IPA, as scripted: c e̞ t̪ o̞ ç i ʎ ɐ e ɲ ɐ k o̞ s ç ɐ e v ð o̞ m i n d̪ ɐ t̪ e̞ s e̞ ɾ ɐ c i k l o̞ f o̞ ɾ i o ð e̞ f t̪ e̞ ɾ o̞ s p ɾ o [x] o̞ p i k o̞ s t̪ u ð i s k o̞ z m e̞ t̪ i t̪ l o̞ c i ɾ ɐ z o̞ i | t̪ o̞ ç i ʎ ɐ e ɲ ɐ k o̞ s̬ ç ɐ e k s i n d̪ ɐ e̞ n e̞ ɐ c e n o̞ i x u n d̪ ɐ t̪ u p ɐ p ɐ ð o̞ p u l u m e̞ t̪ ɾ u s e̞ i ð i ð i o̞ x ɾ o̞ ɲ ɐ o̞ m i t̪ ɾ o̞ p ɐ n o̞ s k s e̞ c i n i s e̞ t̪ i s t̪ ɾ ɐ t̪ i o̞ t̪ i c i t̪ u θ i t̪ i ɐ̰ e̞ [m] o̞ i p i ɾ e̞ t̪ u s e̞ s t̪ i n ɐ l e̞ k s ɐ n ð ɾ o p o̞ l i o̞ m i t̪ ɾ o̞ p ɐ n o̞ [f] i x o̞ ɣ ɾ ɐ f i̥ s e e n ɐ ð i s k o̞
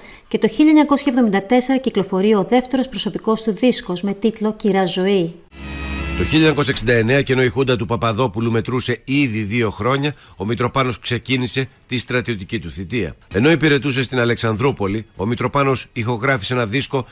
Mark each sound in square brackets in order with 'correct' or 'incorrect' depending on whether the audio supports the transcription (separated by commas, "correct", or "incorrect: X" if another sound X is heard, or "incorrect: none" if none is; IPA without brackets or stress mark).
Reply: incorrect: s, incorrect: n, incorrect: s